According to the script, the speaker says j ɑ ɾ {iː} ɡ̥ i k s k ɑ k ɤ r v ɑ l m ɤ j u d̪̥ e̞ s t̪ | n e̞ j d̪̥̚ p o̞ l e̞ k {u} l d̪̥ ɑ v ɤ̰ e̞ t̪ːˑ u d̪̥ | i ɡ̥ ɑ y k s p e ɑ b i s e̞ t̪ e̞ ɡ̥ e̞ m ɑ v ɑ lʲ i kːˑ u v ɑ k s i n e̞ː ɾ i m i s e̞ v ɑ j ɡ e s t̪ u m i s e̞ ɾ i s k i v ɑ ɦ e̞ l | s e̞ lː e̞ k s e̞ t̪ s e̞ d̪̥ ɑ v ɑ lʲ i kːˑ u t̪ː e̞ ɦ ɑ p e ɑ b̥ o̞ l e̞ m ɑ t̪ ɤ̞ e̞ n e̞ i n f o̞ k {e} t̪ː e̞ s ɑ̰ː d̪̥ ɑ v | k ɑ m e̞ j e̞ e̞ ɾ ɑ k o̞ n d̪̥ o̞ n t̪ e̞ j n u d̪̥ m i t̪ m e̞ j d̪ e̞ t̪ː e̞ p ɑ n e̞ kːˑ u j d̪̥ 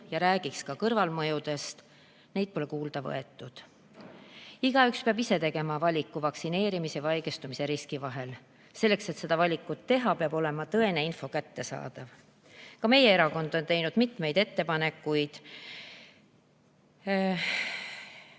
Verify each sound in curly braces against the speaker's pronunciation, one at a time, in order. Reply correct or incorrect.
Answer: incorrect: æː, incorrect: uː, incorrect: æ

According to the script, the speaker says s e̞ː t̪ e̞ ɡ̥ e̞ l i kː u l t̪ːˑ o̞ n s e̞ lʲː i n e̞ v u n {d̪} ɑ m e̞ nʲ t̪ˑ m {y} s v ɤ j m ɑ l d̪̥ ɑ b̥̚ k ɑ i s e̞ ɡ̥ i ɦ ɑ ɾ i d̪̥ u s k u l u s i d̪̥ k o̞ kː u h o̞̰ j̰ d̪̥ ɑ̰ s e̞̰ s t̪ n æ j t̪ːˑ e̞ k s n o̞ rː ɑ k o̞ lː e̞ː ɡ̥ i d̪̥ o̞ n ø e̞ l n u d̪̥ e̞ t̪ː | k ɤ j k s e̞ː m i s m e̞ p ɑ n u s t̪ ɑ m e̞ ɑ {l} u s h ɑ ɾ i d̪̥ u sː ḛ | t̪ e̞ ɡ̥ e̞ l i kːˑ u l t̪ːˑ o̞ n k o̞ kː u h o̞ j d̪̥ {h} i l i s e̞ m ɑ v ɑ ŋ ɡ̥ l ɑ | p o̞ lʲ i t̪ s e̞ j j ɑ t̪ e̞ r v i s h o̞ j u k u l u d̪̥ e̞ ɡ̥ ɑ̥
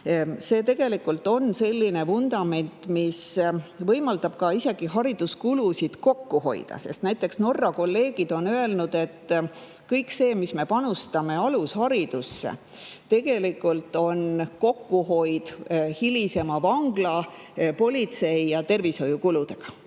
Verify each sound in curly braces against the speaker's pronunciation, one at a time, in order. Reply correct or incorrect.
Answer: correct, incorrect: i, correct, correct

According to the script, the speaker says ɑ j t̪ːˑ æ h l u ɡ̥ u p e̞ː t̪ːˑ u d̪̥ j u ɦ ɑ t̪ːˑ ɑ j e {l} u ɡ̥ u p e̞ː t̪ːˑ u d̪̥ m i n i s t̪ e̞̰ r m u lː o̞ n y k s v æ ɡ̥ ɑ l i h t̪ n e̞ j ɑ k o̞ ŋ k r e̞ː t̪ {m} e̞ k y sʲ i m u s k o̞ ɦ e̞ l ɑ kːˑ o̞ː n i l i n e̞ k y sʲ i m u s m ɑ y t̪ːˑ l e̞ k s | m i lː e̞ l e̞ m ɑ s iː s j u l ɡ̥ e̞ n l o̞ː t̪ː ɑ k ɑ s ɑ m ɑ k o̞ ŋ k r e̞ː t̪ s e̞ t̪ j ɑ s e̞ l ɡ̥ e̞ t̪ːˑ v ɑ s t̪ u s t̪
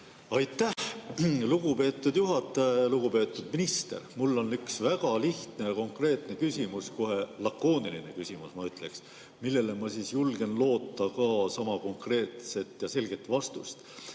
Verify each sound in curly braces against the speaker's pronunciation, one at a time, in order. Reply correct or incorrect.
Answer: correct, incorrect: n

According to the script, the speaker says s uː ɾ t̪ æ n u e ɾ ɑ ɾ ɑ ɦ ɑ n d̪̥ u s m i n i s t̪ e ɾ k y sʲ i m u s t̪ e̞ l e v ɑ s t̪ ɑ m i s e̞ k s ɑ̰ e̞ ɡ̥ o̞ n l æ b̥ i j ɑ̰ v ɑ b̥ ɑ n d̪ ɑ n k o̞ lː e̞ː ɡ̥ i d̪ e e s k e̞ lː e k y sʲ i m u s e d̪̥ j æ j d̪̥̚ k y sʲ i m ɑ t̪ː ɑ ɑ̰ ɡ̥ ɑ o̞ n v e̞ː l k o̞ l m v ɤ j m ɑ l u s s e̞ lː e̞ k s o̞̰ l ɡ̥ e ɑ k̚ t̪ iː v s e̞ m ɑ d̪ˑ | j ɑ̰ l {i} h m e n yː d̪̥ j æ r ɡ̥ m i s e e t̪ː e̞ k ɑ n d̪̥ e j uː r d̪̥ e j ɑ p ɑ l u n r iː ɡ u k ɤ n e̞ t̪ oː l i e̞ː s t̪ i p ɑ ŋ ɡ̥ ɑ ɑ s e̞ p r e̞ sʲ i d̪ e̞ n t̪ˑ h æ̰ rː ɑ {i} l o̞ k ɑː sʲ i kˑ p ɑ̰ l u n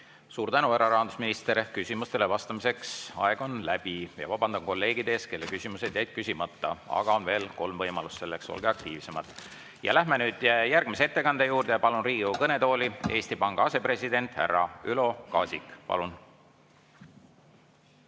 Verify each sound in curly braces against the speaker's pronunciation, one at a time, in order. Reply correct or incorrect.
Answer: incorrect: æ, incorrect: y

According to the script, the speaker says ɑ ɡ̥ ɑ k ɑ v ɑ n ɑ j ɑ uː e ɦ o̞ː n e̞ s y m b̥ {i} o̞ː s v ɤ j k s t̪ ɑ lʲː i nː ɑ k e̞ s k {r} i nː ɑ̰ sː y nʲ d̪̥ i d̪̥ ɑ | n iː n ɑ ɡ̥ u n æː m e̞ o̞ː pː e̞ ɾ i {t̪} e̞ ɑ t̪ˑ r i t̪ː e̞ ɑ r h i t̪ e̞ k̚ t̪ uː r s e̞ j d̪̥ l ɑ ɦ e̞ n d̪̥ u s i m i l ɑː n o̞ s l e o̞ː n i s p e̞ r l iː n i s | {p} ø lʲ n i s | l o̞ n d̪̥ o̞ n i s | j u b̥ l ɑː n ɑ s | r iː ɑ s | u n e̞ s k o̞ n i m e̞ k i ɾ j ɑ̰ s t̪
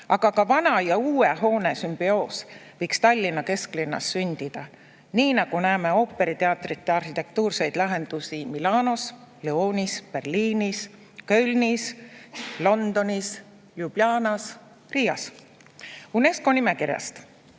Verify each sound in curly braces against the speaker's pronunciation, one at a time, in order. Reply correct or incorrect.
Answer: correct, incorrect: l, correct, incorrect: k

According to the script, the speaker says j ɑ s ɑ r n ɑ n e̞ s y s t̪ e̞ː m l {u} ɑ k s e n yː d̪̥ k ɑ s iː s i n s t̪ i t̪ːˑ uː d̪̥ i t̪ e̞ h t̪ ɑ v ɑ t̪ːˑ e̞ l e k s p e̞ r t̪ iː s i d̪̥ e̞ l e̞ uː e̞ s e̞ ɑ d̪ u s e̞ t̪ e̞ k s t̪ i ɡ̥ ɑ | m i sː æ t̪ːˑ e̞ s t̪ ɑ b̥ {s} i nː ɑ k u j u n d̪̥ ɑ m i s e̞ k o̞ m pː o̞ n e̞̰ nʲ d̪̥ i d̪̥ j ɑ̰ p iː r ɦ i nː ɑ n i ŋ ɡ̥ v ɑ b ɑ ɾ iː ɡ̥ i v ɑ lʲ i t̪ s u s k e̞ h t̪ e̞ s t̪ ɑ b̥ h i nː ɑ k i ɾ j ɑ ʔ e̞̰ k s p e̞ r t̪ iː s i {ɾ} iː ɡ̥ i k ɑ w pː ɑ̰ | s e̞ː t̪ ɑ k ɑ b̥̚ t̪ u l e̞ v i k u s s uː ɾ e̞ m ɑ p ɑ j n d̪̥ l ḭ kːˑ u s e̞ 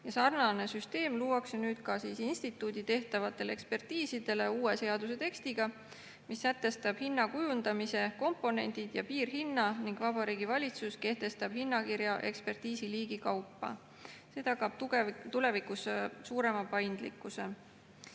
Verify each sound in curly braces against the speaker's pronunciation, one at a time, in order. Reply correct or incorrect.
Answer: incorrect: uː, incorrect: h, incorrect: l

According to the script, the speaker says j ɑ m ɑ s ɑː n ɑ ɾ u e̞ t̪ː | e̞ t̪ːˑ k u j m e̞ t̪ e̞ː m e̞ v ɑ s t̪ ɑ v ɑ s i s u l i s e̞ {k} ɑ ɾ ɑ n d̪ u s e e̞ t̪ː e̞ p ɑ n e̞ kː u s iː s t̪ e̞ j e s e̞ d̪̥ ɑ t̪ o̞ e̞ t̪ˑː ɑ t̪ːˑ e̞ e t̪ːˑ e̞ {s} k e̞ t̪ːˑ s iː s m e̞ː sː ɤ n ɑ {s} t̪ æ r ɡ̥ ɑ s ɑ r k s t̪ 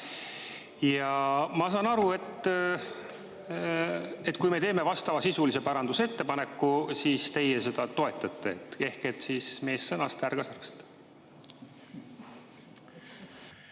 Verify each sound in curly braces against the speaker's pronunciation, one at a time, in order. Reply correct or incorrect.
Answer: incorrect: p, incorrect: h, correct

